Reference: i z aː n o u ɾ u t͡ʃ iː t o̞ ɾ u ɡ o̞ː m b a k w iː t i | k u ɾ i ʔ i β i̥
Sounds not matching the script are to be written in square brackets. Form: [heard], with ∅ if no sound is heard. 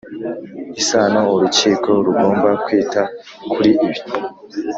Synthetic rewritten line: i [s] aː n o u ɾ u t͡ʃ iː [k] o̞ ɾ u ɡ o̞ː m b a k w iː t [a] | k u ɾ i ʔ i β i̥